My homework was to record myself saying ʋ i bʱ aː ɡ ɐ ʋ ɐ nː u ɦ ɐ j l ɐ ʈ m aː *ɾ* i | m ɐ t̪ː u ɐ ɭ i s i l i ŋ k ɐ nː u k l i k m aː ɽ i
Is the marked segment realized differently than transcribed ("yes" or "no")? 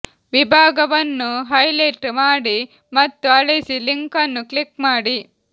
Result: yes